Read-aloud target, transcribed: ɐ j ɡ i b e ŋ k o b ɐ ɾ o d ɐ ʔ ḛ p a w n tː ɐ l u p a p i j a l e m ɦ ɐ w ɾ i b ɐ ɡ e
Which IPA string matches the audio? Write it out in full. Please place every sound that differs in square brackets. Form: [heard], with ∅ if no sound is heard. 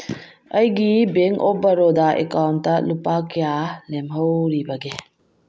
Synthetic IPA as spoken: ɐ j ɡ i b e ŋ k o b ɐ ɾ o d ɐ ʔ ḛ [k] a w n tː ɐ l u p a [k] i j a l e m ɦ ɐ w ɾ i b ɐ ɡ e